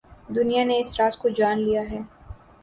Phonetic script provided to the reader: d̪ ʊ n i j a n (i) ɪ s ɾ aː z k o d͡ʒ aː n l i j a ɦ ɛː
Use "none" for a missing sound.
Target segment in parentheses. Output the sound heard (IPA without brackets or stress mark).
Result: e